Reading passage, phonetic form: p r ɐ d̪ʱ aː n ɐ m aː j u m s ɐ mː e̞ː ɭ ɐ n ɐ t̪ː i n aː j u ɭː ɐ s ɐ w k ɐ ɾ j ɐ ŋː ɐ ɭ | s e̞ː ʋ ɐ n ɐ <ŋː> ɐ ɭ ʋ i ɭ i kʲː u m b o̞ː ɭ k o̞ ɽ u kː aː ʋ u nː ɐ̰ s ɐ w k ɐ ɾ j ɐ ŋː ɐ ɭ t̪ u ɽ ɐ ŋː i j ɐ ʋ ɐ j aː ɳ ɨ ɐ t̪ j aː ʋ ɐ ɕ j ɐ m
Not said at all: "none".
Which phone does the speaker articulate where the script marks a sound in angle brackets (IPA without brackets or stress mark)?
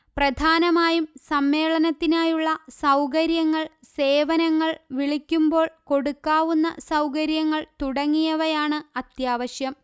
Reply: ŋː